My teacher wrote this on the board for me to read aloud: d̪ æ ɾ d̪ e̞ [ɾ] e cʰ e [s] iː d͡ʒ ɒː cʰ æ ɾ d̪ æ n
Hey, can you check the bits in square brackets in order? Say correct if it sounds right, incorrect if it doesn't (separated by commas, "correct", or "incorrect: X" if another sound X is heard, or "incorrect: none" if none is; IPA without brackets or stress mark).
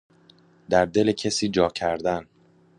incorrect: l, correct